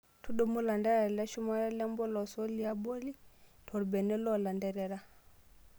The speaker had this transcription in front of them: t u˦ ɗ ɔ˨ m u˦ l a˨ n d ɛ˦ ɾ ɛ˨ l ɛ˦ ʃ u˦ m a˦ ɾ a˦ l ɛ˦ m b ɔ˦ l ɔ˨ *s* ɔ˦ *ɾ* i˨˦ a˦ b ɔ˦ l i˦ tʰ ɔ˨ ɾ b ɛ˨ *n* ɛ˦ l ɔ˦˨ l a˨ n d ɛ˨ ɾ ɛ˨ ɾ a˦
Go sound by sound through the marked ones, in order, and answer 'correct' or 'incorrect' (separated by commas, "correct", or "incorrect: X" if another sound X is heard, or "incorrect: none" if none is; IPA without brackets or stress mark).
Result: correct, incorrect: l, correct